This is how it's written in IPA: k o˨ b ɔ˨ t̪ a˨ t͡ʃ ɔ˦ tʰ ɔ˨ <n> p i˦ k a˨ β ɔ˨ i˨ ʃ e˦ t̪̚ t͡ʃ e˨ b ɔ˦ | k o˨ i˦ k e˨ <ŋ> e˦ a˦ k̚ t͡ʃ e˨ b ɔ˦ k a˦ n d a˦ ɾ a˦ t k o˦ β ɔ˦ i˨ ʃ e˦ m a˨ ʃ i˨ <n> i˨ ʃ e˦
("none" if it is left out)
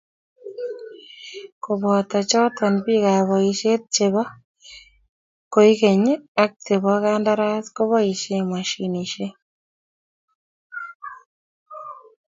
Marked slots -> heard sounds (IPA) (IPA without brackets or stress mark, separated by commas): n, ɲ, n